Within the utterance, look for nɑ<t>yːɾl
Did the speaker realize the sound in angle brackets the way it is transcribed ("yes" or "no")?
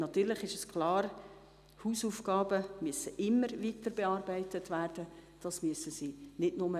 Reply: yes